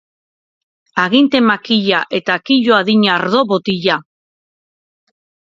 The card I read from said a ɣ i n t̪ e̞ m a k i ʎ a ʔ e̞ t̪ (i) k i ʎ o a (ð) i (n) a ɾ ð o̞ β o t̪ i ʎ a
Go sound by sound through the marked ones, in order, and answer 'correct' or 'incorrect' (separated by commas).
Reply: incorrect, correct, incorrect